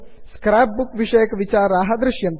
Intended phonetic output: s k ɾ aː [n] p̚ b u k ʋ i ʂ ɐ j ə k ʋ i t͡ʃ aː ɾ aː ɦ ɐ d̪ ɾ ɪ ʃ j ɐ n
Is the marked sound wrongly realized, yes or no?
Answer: yes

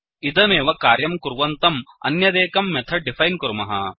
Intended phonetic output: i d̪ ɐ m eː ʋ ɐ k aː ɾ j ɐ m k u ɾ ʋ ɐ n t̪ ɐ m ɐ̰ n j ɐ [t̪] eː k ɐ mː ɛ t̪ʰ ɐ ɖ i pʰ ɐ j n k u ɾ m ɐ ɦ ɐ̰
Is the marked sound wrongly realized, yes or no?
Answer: yes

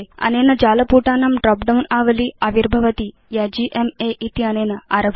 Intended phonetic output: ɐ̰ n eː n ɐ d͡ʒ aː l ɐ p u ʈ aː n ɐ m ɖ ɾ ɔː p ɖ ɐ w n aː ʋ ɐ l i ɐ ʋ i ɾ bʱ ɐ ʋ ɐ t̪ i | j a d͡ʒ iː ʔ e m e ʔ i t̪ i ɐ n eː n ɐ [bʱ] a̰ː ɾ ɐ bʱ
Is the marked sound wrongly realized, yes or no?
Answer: yes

